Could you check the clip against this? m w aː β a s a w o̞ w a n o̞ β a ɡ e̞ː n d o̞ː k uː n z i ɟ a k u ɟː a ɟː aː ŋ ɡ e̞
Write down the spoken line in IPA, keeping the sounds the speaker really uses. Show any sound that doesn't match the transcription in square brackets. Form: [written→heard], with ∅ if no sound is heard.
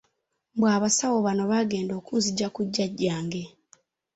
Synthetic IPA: [m→b] w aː β a s a w o̞ [w→β] a n o̞ β a ɡ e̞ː n d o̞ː k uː n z i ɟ a k u ɟː a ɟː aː ŋ ɡ e̞